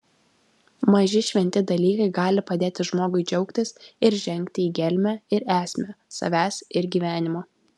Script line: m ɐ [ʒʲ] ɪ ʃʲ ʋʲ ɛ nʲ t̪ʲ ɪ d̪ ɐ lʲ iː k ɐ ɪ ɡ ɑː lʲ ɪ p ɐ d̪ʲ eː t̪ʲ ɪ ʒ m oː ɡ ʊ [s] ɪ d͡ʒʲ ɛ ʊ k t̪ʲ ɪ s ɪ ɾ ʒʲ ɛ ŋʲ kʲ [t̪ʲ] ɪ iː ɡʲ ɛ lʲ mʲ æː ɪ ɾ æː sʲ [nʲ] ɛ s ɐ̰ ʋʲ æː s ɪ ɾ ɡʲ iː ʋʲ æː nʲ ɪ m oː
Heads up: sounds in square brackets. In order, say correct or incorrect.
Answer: correct, incorrect: none, correct, incorrect: mʲ

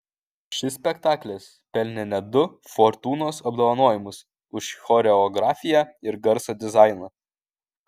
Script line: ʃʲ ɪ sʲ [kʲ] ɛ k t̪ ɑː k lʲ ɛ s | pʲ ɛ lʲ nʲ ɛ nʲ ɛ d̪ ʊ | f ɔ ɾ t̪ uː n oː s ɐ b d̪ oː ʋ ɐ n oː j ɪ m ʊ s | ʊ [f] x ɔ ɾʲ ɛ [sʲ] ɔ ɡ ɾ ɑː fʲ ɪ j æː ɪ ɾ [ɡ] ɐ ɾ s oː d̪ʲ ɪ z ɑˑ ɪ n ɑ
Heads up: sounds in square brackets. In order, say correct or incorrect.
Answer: incorrect: pʲ, incorrect: ʃ, incorrect: none, correct

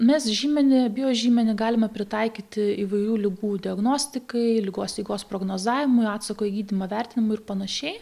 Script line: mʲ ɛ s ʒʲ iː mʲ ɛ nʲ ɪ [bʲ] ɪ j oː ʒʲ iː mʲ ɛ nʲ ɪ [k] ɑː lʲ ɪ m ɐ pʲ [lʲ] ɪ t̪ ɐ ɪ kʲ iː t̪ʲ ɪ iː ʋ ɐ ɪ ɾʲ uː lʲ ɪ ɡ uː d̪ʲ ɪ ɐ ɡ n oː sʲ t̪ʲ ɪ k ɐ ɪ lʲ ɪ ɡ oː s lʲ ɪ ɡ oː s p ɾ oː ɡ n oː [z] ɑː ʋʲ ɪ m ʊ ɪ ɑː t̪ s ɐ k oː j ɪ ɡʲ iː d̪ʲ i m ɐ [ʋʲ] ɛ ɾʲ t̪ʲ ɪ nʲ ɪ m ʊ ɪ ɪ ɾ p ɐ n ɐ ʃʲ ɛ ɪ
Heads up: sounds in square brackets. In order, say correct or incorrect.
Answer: correct, incorrect: ɡ, incorrect: ɾʲ, correct, correct

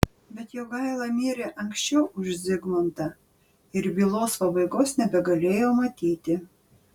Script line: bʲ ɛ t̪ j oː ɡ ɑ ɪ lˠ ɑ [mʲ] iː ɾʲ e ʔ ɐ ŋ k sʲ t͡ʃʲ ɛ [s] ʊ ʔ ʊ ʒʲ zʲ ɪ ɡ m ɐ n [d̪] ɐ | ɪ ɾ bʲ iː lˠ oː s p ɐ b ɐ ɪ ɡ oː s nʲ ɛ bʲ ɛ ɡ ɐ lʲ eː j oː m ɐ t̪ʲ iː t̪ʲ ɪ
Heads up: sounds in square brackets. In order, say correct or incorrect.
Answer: correct, incorrect: none, incorrect: t̪

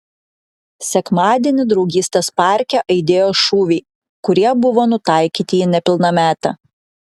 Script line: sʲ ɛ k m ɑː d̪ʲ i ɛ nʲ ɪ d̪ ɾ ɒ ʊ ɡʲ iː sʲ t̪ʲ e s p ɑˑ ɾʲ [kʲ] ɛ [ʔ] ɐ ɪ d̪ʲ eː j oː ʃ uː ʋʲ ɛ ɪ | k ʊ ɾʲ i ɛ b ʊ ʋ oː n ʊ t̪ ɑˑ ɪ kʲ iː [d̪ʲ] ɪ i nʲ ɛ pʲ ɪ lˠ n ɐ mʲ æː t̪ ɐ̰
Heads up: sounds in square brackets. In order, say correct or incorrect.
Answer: correct, correct, incorrect: t̪ʲ

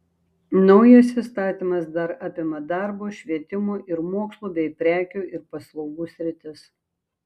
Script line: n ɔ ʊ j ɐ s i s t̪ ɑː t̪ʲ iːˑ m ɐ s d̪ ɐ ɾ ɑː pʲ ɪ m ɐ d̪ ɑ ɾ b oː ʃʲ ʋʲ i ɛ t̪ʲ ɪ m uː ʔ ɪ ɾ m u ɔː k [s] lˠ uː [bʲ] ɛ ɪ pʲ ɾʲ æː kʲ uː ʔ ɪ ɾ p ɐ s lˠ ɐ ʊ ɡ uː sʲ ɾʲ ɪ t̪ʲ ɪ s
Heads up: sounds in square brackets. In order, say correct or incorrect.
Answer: correct, correct

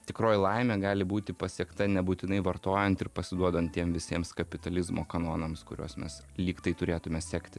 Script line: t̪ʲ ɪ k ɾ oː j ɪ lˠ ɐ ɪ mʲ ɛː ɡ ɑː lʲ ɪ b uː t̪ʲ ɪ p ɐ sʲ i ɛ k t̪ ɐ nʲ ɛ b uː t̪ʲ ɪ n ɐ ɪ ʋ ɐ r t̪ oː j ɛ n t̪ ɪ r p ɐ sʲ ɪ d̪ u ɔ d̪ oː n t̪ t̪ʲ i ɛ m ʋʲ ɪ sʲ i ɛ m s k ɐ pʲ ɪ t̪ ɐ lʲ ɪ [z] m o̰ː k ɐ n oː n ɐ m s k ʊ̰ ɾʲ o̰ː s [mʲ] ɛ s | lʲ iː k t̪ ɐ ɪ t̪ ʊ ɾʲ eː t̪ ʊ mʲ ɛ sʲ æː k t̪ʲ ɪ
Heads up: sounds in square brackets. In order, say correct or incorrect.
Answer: correct, correct

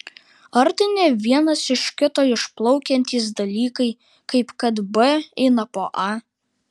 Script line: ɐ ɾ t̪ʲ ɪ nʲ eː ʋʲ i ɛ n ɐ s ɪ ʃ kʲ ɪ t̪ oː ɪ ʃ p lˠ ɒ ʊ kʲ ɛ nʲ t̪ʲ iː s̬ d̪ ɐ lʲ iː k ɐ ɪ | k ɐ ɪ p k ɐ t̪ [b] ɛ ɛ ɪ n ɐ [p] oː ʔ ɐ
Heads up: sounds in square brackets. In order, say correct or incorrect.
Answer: correct, correct

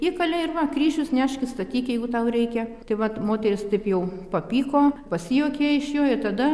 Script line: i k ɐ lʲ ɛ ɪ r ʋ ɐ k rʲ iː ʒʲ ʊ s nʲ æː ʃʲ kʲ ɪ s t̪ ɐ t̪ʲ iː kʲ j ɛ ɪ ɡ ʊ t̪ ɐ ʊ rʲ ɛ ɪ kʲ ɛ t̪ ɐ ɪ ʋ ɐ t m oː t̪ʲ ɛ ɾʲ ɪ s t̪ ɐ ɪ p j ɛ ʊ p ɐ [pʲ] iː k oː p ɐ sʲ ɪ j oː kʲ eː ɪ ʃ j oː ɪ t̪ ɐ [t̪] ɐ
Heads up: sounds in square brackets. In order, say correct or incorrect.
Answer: correct, incorrect: d̪

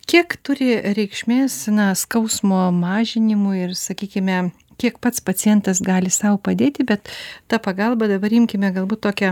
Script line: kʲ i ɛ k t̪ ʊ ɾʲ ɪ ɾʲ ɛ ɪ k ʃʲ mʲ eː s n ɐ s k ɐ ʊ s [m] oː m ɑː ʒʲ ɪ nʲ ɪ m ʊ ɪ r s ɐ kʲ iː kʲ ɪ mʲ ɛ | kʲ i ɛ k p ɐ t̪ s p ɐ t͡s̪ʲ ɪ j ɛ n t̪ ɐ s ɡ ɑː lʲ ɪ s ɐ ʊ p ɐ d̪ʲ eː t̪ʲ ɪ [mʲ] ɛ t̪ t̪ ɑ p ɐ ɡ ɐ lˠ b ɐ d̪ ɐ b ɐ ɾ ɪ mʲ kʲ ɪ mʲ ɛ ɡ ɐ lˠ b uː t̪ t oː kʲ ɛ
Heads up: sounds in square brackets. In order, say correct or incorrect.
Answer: correct, incorrect: bʲ

